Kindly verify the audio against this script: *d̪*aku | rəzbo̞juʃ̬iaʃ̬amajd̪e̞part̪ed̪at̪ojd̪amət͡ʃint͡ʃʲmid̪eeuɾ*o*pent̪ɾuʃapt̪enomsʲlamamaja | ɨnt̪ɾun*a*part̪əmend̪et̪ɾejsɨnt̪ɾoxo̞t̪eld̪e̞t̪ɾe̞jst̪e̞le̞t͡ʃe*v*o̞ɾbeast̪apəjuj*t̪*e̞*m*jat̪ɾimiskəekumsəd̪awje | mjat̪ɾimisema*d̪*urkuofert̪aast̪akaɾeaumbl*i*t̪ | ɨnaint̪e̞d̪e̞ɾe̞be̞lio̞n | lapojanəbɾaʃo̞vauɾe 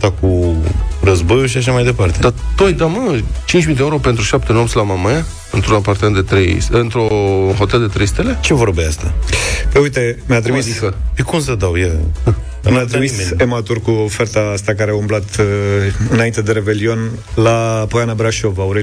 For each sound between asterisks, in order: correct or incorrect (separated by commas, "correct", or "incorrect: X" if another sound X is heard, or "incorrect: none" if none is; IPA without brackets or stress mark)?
incorrect: t̪, correct, correct, correct, correct, correct, incorrect: t̪, incorrect: a